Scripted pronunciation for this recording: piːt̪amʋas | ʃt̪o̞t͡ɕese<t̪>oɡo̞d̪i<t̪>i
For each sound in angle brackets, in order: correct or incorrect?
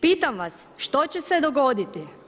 incorrect: d̪, correct

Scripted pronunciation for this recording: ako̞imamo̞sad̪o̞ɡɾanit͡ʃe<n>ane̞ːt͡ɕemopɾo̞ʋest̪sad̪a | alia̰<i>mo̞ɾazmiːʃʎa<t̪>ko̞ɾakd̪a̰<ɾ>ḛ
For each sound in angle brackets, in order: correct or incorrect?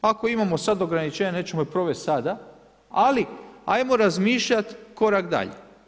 incorrect: ɲ, incorrect: j, correct, incorrect: ʎ

